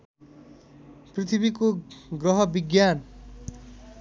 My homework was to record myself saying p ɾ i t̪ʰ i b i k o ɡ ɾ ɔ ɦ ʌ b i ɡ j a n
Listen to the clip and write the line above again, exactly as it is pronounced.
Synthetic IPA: p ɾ i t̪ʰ i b i k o ɡ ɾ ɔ ɦ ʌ b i ɡ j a n